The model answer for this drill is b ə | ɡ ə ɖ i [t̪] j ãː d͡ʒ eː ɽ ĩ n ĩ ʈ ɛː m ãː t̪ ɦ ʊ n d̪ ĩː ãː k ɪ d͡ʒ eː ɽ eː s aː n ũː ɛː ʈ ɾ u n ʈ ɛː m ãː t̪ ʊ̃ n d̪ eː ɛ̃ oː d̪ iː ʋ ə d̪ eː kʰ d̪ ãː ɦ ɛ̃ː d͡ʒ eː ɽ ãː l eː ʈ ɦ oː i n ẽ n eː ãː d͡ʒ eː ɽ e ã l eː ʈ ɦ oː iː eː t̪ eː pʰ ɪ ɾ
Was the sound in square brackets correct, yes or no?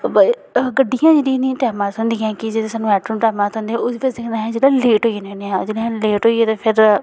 no